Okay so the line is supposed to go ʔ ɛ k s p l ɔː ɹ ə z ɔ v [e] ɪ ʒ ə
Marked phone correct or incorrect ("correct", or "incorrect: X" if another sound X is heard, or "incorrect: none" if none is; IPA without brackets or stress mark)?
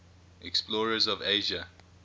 correct